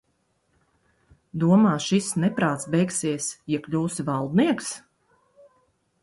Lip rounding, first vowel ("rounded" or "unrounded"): rounded